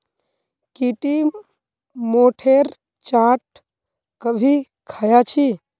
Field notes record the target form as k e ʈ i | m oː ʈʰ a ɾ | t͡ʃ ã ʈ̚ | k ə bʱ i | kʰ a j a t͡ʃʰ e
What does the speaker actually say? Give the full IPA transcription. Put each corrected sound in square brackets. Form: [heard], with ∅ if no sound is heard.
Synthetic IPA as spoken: k [i] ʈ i | m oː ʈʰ [e] ɾ | t͡ʃ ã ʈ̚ | k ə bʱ i | kʰ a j a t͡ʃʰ [i]

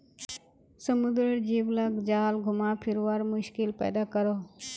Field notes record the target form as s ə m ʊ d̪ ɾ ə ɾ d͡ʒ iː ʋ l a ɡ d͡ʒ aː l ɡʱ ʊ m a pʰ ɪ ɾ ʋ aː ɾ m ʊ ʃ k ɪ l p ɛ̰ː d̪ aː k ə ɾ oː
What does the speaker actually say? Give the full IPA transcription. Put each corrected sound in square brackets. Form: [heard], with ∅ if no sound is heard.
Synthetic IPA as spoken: s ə m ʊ d̪ ɾ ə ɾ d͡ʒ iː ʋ l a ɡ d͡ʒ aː l ɡʱ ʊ m a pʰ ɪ ɾ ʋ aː ɾ m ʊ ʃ k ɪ l p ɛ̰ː d̪ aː k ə ɾ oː

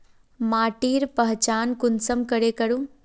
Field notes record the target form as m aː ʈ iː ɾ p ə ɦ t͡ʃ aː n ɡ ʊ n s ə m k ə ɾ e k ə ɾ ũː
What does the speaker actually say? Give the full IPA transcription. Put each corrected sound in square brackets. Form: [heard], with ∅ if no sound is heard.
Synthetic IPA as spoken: m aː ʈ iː ɾ p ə ɦ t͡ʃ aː n [k] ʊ n s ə m k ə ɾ e k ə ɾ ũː

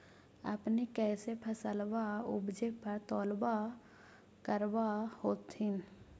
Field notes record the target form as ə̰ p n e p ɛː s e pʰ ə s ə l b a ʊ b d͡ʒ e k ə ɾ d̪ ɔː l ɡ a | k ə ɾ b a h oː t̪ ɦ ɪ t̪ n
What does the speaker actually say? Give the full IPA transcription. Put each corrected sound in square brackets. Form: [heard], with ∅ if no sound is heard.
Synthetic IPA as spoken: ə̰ p n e [k] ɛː s e pʰ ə s ə l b a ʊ b d͡ʒ e [p] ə ɾ [t̪] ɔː l [b] a | k ə ɾ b a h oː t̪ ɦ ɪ [∅] n

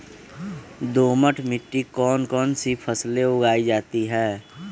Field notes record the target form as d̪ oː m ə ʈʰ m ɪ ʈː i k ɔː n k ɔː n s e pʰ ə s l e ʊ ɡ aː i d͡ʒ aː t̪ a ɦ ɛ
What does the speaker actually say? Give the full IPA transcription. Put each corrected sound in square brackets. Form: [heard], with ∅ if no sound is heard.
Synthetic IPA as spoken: d̪ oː m ə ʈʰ m ɪ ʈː i k ɔː n k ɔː n s [i] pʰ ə s l e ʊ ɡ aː i d͡ʒ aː t̪ [i] ɦ [ɛː]

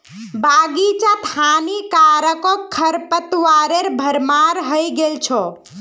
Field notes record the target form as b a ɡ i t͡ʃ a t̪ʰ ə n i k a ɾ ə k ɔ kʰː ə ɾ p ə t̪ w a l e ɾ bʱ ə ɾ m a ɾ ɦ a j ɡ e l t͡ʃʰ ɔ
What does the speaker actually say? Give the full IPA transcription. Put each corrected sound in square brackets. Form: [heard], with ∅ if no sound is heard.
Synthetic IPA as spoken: b a ɡ i t͡ʃ a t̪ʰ [a] n i k a ɾ ə k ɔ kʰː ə ɾ p ə t̪ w a [ɾ] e ɾ bʱ ə ɾ m a ɾ ɦ [ə] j ɡ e l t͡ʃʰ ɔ

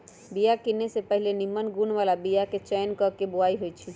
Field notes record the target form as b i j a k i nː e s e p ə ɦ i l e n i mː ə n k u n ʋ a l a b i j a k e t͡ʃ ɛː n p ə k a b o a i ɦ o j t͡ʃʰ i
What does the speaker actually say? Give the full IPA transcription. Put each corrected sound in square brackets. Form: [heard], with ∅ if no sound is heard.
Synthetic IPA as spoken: b i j a k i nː e s e p ə ɦ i l e n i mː ə n [ɡ] u n ʋ a l a b i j a k e t͡ʃ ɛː n [k] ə k [e] b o a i ɦ o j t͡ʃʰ i

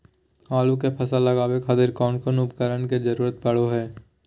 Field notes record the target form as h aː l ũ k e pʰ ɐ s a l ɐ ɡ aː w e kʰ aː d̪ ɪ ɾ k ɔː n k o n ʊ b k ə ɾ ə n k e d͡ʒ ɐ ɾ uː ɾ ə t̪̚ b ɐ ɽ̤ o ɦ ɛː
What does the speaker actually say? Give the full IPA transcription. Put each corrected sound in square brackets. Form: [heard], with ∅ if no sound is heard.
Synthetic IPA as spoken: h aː l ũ k e pʰ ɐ s a l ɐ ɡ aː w e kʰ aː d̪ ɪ ɾ k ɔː n k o n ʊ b k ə ɾ ə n k e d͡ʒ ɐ ɾ uː ɾ ə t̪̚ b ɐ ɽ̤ o ɦ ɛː

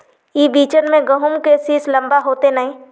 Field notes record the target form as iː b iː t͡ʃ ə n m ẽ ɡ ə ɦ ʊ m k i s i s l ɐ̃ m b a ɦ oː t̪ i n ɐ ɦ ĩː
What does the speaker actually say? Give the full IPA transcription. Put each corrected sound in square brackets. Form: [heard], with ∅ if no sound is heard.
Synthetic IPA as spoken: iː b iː t͡ʃ ə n m ẽ ɡ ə ɦ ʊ m k [e] s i s l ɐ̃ m b a ɦ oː t̪ [e] n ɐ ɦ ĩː

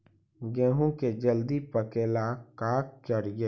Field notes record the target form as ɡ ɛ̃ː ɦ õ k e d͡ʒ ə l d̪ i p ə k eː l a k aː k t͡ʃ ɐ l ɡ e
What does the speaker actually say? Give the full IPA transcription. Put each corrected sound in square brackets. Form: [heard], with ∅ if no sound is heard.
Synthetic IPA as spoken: ɡ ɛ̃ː ɦ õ k e d͡ʒ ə l d̪ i p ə k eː l a k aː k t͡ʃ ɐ [ɾ] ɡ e

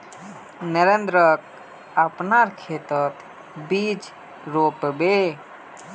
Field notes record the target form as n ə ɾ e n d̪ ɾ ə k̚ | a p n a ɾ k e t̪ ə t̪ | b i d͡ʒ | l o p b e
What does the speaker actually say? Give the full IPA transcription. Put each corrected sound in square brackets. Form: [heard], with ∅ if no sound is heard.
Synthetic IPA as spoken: n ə ɾ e n d̪ ɾ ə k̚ | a p n a ɾ [kʰ] e t̪ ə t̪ | b i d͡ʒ | [ɾ] o p b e

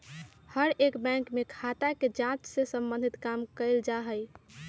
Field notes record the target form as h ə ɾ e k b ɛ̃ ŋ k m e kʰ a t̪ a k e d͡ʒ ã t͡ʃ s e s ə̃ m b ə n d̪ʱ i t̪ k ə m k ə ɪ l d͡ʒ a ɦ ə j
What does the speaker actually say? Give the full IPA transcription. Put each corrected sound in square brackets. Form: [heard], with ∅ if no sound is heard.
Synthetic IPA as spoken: h ə ɾ e k b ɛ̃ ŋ k m e kʰ a t̪ a k e d͡ʒ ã t͡ʃ s e s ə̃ m b ə n d̪ʱ i t̪ k [a] m k ə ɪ l d͡ʒ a ɦ ə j

